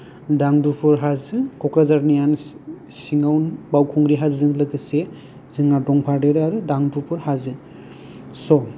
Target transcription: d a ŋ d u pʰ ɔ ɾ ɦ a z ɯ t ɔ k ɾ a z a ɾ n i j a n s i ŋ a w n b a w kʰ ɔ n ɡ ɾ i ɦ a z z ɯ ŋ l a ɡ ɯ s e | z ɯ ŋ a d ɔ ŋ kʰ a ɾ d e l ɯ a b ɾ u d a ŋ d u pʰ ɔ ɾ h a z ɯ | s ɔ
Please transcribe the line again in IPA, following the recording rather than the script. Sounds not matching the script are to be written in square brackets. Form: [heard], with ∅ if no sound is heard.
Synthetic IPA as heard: d a ŋ d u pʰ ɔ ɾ ɦ a z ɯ [k] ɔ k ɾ a z a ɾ n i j a n s i ŋ a w n b a w kʰ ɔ [ŋ] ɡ ɾ i ɦ a z z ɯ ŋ l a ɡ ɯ s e | z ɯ ŋ a d ɔ ŋ [pʰ] a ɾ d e [ɾ] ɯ a [∅] ɾ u d a ŋ d u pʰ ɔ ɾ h a z ɯ | s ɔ